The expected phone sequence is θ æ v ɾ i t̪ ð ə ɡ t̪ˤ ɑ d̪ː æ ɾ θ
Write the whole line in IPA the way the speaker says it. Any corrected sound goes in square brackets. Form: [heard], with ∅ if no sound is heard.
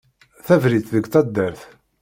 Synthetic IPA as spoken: θ æ v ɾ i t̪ ð ə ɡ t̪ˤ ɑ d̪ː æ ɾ θ